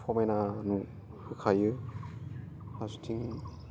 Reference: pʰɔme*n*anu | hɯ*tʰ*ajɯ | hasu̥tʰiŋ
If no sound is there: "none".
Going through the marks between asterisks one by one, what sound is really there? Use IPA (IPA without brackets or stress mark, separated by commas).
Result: n, kʰ